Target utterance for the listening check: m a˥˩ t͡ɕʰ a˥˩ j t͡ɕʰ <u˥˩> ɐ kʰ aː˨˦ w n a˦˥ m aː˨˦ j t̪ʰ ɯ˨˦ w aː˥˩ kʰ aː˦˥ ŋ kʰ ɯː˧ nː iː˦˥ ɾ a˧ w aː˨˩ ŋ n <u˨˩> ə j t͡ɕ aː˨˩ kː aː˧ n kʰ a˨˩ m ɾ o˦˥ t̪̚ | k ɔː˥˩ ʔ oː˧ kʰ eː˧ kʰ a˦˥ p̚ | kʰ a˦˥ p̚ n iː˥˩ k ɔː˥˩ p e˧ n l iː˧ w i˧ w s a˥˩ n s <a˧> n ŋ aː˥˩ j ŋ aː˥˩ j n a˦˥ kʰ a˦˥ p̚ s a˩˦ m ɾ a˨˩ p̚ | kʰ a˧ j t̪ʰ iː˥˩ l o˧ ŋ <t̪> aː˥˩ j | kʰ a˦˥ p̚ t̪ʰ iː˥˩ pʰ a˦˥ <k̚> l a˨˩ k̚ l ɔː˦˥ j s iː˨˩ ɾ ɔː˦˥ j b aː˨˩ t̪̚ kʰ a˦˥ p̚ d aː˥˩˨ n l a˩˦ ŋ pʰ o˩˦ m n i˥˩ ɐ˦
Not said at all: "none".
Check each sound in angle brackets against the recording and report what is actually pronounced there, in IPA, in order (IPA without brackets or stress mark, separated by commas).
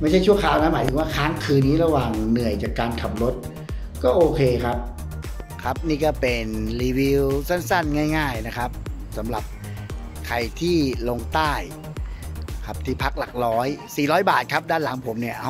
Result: u˥˩, ɯ˨˩, a˥˩, t̪, k̚